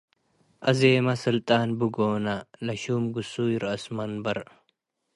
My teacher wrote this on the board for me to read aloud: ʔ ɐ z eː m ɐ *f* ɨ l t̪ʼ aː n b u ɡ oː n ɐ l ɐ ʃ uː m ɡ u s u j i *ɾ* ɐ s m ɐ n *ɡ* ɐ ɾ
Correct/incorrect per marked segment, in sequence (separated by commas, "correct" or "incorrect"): incorrect, correct, incorrect